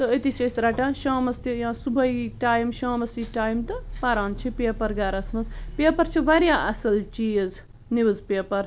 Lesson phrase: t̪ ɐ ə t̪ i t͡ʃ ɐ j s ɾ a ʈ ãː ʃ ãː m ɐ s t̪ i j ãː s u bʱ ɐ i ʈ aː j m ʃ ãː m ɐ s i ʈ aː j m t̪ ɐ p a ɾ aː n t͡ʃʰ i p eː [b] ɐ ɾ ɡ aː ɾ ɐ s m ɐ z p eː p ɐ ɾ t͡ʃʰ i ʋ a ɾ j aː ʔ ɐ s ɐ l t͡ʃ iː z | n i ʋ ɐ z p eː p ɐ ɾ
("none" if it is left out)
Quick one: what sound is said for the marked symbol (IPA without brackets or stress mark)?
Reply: p